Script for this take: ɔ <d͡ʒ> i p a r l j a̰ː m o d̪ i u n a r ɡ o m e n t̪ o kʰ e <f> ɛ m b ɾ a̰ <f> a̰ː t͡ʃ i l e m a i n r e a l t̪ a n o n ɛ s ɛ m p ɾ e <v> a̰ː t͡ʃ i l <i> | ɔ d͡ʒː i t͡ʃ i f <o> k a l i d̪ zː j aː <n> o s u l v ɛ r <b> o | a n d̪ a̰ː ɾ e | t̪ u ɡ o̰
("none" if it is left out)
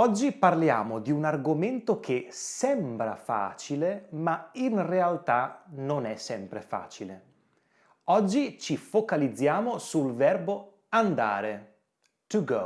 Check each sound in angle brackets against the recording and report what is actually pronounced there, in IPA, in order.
d͡ʒː, s, f, f, e, o, m, b

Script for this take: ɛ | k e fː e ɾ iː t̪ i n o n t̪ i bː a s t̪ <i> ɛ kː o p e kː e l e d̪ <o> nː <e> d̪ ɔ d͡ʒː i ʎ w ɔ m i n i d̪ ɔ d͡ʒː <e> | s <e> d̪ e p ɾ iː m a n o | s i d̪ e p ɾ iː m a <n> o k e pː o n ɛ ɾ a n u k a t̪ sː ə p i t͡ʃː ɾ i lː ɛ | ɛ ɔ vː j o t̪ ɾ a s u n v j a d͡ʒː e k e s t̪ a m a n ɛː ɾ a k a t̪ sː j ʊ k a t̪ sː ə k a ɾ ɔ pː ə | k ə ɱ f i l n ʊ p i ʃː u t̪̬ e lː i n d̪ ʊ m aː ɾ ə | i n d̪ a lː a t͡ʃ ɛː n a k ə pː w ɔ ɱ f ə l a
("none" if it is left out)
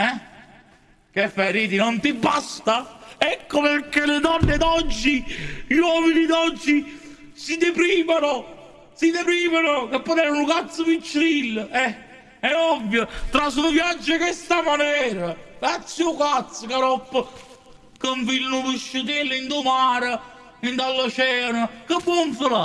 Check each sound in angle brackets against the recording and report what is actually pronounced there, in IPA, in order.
a, ɔ, e, i, i, n

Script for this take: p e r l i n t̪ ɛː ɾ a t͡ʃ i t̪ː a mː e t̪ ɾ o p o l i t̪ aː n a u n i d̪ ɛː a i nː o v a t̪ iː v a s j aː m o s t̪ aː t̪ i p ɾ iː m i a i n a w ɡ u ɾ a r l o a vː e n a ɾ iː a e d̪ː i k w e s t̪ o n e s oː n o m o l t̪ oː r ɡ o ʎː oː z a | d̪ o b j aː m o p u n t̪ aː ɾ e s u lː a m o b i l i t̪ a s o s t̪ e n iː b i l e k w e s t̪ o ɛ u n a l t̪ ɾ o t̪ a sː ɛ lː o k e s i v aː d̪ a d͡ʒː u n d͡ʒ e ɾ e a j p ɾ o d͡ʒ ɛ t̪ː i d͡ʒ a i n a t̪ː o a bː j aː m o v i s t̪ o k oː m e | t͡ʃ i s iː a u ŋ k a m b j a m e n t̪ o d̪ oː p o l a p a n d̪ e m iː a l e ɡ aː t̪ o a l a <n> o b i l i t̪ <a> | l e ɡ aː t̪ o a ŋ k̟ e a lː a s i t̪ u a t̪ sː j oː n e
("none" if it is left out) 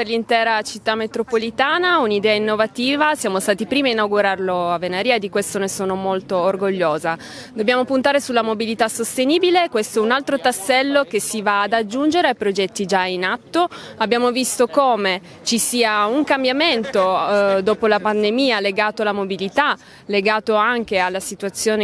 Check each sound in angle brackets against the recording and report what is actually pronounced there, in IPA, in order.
m, a

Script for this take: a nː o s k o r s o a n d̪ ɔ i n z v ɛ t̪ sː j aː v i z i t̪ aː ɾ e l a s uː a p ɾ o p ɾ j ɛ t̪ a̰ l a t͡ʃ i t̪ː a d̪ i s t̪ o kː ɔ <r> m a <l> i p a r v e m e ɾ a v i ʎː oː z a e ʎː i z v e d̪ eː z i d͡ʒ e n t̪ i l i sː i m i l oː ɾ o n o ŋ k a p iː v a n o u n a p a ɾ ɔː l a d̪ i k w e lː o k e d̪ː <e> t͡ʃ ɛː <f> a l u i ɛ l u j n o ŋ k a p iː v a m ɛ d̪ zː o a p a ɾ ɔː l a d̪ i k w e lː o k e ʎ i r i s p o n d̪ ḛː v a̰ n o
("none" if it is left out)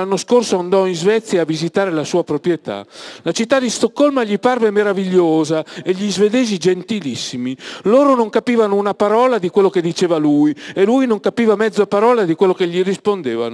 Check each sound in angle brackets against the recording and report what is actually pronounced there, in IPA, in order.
l, ʎ, i, v

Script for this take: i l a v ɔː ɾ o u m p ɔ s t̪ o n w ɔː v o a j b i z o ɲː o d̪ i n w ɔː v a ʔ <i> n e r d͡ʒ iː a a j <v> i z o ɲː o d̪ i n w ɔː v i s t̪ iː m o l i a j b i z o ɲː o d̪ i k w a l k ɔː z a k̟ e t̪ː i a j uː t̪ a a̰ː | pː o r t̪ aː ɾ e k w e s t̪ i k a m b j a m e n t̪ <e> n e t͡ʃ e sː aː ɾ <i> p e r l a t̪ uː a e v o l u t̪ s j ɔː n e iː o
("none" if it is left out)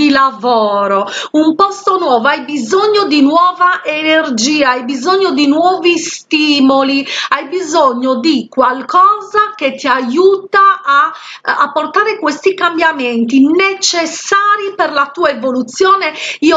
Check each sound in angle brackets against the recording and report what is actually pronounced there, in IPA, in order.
e, b, i, i

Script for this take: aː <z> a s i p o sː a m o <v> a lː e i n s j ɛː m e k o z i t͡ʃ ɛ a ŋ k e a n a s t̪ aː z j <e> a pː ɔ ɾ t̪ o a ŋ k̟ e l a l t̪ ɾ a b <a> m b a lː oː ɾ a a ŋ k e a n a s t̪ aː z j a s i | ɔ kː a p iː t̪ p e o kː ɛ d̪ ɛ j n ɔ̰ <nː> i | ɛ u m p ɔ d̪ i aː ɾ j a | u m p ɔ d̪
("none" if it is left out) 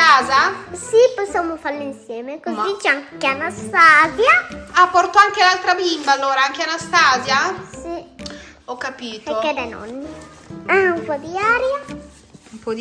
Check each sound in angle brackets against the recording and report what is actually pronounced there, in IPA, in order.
z, f, a, i, nː

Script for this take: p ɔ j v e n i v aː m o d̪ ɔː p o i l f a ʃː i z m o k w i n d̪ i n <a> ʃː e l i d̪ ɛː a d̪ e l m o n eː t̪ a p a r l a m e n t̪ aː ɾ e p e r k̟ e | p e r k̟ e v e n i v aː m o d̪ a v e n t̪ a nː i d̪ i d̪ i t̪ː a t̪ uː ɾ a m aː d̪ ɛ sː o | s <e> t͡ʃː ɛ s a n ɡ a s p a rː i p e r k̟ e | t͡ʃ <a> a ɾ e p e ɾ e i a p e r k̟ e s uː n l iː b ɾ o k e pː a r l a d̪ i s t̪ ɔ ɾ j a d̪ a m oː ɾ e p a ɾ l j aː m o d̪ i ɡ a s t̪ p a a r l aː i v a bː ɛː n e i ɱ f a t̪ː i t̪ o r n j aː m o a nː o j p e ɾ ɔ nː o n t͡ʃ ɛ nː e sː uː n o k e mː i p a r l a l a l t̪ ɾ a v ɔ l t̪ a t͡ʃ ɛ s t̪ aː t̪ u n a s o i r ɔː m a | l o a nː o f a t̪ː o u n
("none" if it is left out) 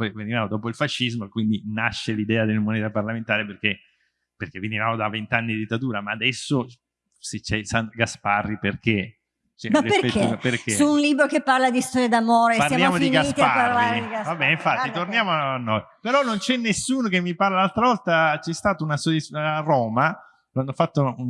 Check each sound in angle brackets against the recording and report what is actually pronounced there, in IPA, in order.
a, e, ɛ

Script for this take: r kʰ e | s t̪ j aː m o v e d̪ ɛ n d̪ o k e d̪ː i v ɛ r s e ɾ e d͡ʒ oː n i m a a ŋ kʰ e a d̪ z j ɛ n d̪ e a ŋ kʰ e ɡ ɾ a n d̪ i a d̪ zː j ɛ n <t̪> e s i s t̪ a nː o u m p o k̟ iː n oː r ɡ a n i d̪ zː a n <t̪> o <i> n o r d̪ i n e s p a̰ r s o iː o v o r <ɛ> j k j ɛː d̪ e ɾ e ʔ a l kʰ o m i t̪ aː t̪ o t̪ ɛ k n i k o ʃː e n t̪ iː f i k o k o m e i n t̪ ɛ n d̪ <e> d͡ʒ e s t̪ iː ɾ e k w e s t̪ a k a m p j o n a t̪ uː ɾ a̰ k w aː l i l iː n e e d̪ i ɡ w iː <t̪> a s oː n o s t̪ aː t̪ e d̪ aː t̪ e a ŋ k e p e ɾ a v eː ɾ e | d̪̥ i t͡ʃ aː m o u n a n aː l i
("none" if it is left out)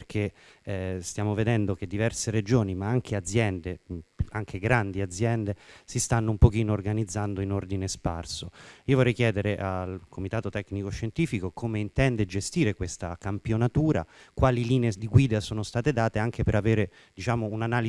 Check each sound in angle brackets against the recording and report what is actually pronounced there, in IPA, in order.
d̪, d̪, i, ɛ, e, d̪

